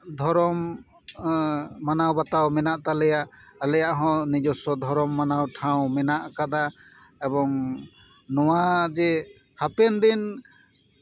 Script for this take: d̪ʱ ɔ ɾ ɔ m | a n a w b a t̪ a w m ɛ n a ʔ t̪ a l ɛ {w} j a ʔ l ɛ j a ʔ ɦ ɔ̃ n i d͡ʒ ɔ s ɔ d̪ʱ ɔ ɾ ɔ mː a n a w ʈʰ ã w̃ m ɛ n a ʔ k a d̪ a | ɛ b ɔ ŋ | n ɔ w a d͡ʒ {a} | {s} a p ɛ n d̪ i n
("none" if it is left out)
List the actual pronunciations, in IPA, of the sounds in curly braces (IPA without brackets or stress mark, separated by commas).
none, ɛ, h